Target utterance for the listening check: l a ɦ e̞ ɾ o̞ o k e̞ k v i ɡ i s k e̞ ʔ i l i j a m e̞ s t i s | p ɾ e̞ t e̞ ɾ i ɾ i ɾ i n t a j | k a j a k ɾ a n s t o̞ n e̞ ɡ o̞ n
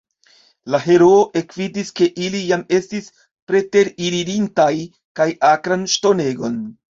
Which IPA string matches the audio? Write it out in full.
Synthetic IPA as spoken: l a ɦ e̞ ɾ o̞ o ʔ e̞ k v i d i s k e̞ ʔ i l i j a m e̞ s t i s | p ɾ e̞ t e̞ ɾ i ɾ i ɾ i n t a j | k a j a k ɾ a n ʃ t o̞ n e̞ ɡ o̞ n